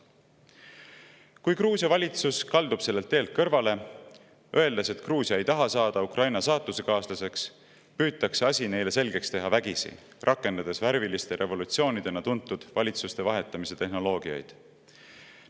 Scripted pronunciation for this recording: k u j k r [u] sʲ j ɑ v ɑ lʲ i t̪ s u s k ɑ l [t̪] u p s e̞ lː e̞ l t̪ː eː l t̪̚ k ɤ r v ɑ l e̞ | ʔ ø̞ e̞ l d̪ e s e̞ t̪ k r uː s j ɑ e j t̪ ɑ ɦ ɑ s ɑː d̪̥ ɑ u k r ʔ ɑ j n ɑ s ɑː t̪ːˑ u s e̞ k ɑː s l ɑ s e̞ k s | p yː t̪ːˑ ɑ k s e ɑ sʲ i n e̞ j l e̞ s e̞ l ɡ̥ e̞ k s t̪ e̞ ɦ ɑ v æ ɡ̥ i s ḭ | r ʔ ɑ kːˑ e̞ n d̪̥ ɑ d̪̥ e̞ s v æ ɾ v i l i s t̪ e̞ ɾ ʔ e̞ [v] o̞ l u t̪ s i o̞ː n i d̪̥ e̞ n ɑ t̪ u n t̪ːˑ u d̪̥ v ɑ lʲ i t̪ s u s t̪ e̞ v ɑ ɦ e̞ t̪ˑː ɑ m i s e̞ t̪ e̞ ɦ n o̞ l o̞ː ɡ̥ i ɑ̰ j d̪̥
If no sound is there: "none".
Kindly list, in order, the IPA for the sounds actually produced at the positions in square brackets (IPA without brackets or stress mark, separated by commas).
uː, d̪, v